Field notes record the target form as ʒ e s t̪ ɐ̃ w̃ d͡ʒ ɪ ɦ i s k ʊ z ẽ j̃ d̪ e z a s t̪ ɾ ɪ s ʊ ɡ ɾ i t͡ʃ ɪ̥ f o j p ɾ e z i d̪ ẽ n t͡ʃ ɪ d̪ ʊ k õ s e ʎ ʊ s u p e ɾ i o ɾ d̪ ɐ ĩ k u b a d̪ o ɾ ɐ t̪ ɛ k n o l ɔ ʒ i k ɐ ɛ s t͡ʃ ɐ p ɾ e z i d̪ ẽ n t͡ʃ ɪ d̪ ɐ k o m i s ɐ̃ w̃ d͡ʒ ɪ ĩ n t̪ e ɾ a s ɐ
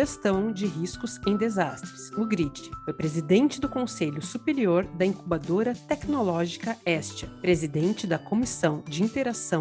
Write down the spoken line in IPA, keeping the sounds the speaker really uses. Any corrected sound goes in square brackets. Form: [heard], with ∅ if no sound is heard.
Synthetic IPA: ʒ e s t̪ ɐ̃ w̃ d͡ʒ ɪ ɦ i s k ʊ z ẽ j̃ d̪ e z a s t̪ ɾ ɪ s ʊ ɡ ɾ i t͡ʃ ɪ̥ f o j p ɾ e z i d̪ ẽ n t͡ʃ ɪ d̪ ʊ k õ s e ʎ ʊ s u p e ɾ i o ɾ d̪ ɐ ĩ k u b a d̪ o ɾ ɐ t̪ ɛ k n o l ɔ ʒ i k ɐ ɛ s t͡ʃ ɐ p ɾ e z i d̪ ẽ n t͡ʃ ɪ d̪ ɐ k o m i s ɐ̃ w̃ d͡ʒ ɪ ĩ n t̪ e ɾ a s [ɐ̃]